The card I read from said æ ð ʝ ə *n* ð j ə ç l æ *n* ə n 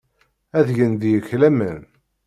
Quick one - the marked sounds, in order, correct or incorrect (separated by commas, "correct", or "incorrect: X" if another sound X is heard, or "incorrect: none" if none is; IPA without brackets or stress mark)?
correct, incorrect: m